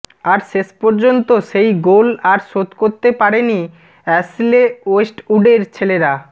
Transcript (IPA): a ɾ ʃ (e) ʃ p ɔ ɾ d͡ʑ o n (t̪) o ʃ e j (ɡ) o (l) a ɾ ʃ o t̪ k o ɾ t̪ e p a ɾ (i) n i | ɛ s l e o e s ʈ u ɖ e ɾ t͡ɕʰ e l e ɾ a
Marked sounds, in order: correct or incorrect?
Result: correct, correct, correct, correct, incorrect: e

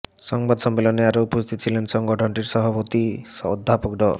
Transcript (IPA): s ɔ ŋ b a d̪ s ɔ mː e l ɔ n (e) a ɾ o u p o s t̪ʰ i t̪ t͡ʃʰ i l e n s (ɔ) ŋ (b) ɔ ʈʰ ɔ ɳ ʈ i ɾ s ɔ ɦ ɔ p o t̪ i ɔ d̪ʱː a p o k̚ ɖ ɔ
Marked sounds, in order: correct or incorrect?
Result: correct, correct, incorrect: ɡ

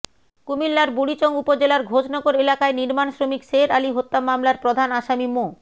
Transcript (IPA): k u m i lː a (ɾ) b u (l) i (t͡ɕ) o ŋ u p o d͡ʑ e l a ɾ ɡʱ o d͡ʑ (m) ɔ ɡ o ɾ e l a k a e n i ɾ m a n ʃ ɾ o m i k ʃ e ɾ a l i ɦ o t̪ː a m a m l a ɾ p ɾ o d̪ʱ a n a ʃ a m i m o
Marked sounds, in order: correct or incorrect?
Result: correct, incorrect: ɽ, correct, incorrect: n

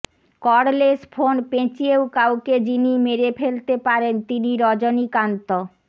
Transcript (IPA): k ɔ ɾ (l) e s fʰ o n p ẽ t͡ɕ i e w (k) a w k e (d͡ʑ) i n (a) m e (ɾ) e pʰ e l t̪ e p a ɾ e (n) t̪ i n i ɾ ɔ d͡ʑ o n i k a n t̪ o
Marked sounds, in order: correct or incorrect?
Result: correct, correct, correct, incorrect: i, correct, correct

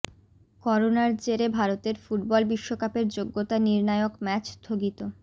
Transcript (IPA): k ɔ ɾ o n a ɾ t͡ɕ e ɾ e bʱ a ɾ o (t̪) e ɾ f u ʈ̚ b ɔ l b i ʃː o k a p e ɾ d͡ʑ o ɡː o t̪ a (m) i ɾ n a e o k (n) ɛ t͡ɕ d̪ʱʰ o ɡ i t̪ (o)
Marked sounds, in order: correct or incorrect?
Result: correct, incorrect: n, incorrect: m, correct

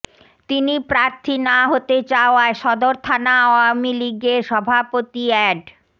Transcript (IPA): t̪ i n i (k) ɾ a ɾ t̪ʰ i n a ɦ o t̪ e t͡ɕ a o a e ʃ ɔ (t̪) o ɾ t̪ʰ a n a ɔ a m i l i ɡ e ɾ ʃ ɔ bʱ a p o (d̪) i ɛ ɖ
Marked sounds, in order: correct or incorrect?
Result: incorrect: p, incorrect: d̪, incorrect: t̪

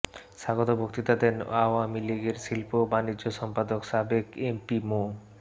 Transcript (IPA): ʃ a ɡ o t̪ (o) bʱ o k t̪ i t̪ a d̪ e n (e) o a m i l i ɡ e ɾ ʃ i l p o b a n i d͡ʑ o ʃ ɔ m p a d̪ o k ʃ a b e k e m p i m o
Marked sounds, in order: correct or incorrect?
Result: correct, incorrect: a

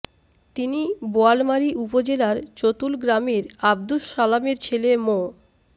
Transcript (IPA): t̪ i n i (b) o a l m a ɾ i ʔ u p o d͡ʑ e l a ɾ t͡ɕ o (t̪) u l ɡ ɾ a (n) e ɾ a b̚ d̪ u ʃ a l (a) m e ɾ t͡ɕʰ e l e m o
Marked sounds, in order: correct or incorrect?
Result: correct, correct, incorrect: m, correct

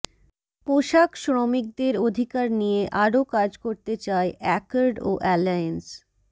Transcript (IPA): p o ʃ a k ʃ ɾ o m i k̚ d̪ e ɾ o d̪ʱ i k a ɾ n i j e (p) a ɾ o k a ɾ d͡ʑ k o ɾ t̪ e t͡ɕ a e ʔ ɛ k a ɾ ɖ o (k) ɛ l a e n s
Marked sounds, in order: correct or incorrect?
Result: incorrect: ʔ, incorrect: ʔ

